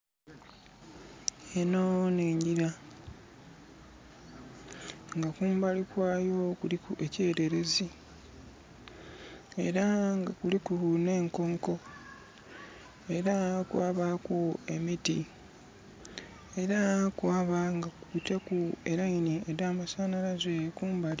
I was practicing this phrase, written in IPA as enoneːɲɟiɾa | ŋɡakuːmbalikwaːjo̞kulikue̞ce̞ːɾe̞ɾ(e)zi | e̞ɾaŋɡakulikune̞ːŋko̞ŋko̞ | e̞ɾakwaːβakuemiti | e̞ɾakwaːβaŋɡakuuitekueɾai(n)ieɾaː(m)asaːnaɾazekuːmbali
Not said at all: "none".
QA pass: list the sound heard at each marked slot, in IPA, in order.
e, n, m

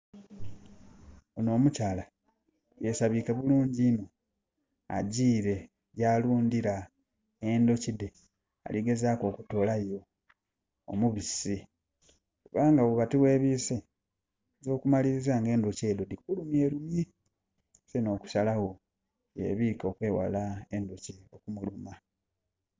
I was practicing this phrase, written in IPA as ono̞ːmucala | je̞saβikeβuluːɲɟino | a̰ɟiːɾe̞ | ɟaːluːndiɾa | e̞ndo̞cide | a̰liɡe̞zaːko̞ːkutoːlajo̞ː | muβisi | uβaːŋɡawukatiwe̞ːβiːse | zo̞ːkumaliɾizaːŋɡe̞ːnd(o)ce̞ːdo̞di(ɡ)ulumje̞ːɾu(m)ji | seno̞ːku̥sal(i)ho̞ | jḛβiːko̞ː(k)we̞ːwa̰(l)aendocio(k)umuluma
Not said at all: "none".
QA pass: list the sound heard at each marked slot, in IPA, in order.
o, k, m, a, k, l, k

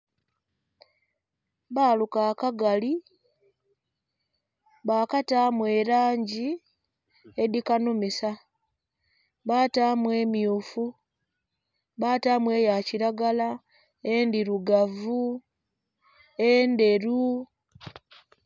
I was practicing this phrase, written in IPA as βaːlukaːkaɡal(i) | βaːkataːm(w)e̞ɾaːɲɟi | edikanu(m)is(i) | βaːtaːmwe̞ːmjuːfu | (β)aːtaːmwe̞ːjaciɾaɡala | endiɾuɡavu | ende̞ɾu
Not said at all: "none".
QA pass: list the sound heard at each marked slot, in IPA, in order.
i, w, m, a, β

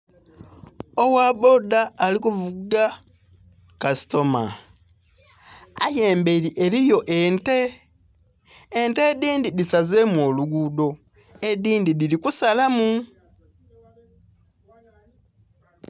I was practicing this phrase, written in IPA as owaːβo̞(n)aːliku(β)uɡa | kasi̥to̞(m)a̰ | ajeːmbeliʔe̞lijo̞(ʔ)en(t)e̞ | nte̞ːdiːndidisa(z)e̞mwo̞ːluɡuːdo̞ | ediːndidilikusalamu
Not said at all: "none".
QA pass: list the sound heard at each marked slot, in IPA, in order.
d, v, m, ʔ, t, z

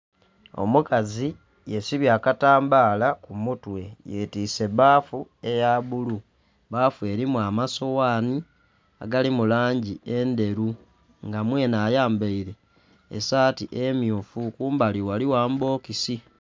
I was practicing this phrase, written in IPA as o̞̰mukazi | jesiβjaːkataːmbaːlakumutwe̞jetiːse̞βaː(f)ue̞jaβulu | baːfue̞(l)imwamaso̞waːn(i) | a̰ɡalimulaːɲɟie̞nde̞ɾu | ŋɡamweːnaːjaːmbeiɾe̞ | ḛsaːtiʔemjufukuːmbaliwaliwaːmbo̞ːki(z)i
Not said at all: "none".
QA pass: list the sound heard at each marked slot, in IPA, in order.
f, ɾ, i, s

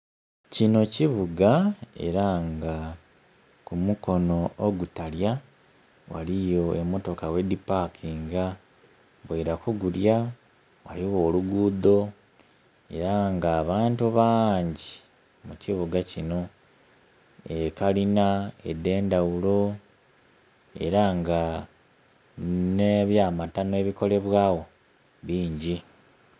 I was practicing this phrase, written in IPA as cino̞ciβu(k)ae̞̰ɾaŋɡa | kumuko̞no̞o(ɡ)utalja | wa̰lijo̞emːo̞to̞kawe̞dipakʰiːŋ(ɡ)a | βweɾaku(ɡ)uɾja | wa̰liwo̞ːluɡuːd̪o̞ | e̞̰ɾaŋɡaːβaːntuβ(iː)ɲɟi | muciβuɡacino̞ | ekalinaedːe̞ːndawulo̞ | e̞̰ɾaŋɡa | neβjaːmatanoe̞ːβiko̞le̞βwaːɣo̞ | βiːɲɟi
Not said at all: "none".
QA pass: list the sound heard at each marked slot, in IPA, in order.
ɡ, ɡ, ɡ, ɡ, aː

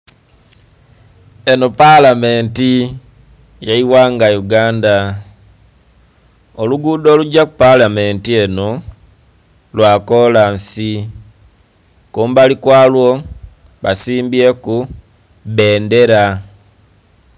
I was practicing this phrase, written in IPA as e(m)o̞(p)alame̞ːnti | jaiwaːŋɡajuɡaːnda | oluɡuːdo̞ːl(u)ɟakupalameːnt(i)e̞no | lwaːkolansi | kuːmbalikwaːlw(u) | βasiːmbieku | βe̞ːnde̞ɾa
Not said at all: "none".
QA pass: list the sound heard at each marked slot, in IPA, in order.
n, p, u, i, o

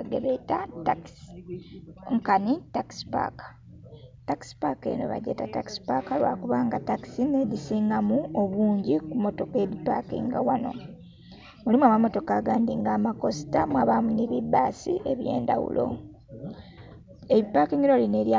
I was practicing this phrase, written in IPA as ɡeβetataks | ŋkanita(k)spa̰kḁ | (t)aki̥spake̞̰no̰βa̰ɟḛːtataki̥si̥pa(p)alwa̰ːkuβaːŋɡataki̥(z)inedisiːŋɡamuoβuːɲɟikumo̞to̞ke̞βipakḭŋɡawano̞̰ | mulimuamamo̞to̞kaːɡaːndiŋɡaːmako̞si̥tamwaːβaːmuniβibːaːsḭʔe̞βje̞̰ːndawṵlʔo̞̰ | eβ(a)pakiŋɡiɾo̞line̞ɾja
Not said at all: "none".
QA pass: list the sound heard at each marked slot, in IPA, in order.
k, t, k, s, i

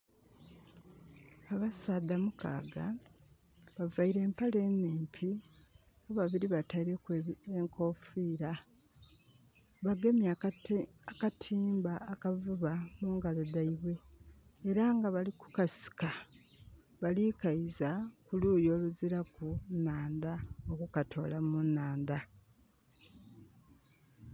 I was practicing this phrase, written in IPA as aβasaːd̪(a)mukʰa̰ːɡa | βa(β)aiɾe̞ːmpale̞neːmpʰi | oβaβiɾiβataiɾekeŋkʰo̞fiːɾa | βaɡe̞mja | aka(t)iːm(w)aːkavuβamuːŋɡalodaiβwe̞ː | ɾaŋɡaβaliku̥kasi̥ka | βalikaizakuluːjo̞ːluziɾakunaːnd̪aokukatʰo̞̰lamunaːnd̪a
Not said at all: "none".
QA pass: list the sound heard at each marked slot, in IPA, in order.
a, v, tʰ, b

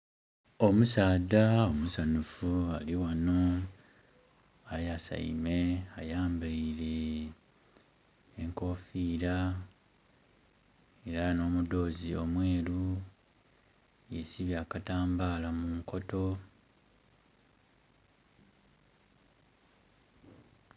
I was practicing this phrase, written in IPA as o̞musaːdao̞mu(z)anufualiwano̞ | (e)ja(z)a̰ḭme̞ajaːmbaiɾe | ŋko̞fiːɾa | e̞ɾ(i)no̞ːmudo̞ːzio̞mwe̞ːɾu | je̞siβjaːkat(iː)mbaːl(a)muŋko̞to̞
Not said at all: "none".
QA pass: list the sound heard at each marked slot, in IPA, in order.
s, a, s, a, aː, a

